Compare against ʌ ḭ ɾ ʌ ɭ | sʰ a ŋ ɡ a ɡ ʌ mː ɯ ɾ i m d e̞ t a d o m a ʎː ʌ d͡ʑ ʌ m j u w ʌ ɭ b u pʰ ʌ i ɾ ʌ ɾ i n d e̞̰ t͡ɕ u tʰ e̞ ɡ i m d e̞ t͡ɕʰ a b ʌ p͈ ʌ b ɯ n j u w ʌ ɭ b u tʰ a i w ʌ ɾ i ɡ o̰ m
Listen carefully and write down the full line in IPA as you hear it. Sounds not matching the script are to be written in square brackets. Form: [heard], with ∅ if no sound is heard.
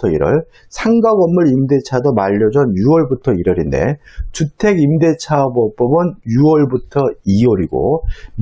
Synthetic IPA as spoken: ʌ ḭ ɾ ʌ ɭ | sʰ a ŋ ɡ a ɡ ʌ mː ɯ ɾ i m d e̞ [t͡ɕʰ] a d o m a ʎː ʌ d͡ʑ ʌ [n] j u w ʌ ɭ b u [tʰ] ʌ i ɾ ʌ ɾ i n d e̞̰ t͡ɕ u tʰ e̞ ɡ i m d e̞ t͡ɕʰ a b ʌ p͈ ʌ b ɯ n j u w ʌ ɭ b u tʰ [ʌ] i w ʌ ɾ i ɡ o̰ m